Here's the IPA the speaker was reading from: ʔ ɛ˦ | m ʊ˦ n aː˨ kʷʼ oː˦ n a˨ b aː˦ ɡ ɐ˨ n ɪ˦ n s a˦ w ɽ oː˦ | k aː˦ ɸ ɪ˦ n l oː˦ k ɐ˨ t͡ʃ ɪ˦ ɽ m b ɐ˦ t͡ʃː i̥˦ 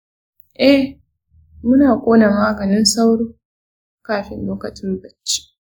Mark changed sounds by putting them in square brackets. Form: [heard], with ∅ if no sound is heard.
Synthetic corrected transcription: ʔ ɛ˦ | m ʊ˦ n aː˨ kʷʼ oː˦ n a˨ [m] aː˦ ɡ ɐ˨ n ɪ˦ n s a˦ w ɽ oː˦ | k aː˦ ɸ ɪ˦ n l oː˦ k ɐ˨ t͡ʃ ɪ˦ [∅] m b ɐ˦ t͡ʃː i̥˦